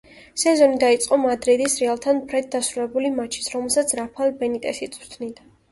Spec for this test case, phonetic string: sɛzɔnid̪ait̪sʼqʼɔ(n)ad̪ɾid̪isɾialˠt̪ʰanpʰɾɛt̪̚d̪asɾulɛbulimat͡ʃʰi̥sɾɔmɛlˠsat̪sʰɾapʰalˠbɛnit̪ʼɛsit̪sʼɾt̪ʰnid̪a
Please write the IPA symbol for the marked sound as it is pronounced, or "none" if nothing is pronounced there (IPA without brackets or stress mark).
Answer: m